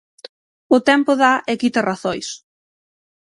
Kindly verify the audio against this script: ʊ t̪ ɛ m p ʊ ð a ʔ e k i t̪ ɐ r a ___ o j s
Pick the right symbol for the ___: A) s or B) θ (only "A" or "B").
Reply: B